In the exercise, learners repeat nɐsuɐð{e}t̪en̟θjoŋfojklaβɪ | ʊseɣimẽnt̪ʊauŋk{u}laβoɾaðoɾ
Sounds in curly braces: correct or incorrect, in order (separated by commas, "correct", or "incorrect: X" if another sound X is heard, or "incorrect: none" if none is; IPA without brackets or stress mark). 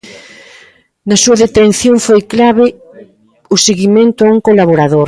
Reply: correct, incorrect: o